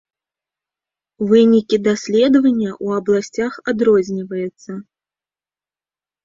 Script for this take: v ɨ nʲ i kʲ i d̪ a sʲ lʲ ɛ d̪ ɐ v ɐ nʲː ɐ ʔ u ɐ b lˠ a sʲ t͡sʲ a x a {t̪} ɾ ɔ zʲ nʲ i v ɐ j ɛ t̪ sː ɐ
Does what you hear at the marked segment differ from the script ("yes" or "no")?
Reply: yes